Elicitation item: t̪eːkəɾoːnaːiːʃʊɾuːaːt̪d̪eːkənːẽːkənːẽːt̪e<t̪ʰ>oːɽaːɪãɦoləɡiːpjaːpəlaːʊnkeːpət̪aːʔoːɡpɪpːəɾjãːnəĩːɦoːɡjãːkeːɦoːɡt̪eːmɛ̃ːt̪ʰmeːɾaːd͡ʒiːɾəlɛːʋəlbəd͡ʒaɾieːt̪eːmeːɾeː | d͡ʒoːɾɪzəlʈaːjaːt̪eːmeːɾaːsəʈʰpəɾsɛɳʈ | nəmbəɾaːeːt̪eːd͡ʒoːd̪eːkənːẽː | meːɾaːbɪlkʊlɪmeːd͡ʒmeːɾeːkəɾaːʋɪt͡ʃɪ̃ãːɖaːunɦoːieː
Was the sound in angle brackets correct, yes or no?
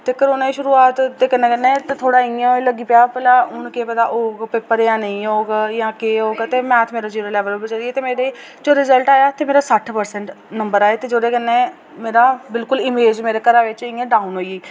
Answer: yes